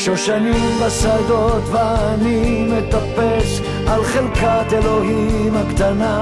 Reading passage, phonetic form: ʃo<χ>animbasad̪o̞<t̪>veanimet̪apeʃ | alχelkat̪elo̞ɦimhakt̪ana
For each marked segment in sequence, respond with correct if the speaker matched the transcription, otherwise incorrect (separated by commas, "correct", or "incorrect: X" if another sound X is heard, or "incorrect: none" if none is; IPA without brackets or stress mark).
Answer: incorrect: ʃ, correct